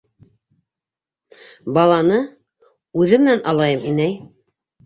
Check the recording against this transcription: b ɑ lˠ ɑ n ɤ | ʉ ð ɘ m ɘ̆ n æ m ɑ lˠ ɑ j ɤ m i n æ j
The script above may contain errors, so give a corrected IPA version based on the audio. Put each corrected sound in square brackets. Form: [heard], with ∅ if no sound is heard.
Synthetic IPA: b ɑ lˠ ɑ n ɤ | ʉ ð ɘ m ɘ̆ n æ [n] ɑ lˠ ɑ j ɤ m i n æ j